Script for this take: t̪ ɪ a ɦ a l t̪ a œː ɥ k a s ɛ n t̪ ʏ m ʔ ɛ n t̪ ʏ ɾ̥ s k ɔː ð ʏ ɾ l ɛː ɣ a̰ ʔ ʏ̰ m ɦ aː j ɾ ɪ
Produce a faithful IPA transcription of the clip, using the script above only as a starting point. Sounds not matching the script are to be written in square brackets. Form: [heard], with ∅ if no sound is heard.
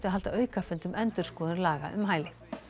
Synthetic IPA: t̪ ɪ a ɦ a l t̪ a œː ɥ k a [f] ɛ n t̪ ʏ m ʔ ɛ n t̪ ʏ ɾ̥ s k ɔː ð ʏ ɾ l [aː] ɣ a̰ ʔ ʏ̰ m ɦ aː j [l] ɪ